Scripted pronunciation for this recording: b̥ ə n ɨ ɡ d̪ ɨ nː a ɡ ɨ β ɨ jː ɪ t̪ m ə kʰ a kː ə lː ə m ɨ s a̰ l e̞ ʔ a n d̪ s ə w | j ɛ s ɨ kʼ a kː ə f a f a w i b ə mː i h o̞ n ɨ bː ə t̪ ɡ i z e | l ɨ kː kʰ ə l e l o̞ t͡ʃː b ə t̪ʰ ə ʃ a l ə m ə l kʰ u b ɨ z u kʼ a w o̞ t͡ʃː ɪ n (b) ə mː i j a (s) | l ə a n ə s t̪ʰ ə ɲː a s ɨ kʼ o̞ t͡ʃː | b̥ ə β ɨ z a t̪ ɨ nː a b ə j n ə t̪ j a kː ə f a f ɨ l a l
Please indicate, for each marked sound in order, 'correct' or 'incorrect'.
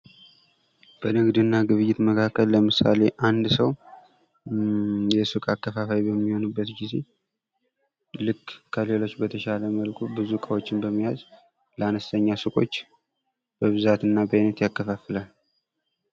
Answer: correct, incorrect

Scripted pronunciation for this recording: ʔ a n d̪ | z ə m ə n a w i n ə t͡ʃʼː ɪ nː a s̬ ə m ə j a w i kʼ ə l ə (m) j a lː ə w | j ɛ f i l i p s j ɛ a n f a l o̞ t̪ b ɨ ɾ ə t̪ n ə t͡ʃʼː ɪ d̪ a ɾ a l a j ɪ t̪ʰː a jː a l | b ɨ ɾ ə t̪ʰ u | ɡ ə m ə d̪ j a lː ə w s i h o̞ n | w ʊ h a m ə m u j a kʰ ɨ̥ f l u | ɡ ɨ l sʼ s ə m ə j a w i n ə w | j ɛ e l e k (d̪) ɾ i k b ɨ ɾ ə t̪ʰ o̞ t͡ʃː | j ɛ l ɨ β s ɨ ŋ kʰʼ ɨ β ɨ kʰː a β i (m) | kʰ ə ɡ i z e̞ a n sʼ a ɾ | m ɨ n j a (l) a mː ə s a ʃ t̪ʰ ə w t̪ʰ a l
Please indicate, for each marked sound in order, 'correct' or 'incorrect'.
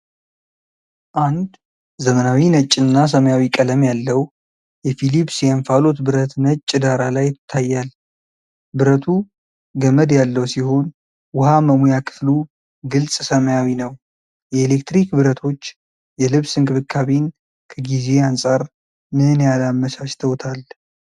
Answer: correct, incorrect, incorrect, correct

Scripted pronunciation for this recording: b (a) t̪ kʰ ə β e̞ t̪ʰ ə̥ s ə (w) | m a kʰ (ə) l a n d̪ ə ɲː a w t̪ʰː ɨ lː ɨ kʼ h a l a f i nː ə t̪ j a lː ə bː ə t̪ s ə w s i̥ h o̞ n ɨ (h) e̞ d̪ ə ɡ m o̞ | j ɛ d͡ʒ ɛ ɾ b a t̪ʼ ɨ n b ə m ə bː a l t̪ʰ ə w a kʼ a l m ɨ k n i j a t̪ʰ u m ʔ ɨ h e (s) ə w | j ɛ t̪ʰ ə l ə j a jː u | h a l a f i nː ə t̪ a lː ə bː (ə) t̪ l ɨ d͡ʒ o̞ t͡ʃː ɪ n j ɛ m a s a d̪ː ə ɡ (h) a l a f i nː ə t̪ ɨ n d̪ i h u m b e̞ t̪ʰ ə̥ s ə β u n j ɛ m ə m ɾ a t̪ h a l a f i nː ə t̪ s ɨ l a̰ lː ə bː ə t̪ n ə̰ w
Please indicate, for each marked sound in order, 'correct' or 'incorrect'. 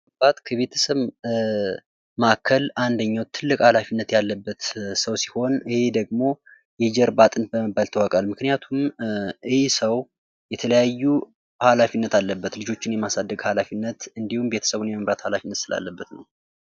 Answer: correct, incorrect, correct, correct, correct, correct, correct

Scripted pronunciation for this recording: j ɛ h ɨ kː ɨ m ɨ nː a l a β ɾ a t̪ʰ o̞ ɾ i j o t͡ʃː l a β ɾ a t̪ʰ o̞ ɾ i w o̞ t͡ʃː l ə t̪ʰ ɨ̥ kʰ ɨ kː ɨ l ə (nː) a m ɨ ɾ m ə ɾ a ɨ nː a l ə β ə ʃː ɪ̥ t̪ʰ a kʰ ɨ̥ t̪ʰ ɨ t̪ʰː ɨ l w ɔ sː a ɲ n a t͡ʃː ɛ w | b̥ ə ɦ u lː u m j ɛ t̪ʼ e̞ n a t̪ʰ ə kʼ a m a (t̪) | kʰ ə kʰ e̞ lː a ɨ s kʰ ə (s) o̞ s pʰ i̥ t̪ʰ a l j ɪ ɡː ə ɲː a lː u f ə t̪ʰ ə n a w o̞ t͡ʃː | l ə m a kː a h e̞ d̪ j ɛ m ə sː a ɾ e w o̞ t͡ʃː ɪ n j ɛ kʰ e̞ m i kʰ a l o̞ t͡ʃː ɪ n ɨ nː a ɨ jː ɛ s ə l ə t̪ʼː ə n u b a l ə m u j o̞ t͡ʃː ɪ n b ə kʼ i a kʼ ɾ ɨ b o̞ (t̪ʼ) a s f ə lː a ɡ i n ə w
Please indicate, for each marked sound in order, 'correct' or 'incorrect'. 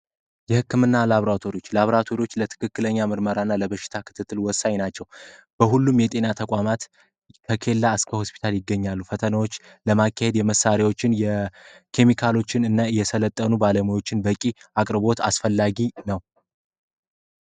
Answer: incorrect, correct, incorrect, incorrect

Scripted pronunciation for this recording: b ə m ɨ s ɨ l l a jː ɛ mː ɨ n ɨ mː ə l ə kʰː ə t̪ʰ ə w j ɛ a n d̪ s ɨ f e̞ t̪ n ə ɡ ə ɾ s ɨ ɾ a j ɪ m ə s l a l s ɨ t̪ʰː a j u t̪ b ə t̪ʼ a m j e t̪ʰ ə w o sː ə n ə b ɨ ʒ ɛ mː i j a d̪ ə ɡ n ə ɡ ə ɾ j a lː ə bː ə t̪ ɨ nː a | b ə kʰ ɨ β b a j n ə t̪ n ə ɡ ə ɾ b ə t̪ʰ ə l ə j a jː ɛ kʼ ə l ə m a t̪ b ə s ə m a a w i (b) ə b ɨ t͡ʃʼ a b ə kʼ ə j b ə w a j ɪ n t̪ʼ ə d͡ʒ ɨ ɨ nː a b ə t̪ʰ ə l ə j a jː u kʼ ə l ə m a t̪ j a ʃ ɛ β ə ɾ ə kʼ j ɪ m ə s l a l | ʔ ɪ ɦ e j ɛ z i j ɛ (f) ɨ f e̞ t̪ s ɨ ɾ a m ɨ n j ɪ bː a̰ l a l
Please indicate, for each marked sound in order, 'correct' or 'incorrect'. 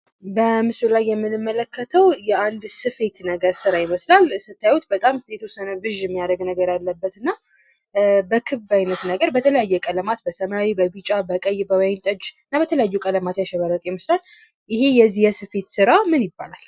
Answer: correct, incorrect

